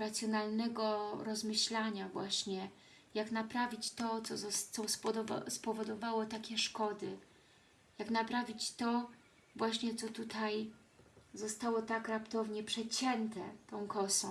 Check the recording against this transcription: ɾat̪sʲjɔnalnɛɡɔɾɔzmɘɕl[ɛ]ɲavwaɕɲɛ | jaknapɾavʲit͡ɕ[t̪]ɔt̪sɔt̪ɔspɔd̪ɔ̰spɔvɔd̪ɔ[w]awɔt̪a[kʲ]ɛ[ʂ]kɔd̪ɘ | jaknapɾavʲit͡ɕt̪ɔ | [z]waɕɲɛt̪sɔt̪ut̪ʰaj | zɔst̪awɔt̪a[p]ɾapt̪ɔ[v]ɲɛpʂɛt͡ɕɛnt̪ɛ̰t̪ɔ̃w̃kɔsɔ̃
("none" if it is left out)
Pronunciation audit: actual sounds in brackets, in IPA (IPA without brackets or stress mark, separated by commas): a, t̪, v, kʲ, ʂ, v, k, v